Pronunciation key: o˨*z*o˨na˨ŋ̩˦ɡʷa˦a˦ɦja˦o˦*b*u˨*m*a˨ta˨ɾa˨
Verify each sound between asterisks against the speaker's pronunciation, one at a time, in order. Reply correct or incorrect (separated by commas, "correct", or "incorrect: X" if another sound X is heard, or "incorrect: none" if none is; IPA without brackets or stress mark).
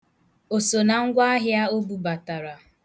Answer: incorrect: s, correct, incorrect: b